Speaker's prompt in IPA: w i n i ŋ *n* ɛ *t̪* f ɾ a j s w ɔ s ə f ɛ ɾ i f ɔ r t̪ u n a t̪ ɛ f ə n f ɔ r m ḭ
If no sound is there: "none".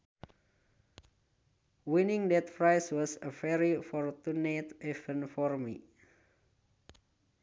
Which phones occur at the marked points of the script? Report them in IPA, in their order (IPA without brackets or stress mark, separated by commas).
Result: d, t̪